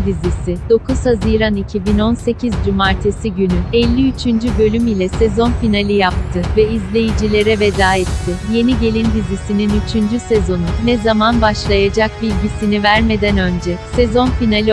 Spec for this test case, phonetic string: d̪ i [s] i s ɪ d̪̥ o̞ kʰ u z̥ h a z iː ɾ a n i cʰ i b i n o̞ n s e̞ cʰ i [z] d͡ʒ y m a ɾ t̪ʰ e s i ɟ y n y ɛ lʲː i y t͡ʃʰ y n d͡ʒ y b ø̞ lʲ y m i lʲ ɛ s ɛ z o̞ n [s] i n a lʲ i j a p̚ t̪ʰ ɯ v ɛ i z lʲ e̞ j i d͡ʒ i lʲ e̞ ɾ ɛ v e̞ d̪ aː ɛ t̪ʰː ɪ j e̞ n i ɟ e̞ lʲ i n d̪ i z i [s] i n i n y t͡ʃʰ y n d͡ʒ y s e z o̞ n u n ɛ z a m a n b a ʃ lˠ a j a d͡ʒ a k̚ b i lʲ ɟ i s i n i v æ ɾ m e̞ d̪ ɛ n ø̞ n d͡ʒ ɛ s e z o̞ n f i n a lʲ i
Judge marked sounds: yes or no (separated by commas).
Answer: no, yes, no, yes